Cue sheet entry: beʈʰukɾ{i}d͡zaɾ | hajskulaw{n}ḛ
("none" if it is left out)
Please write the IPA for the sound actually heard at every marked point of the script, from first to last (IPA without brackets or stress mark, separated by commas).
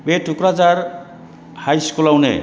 a, n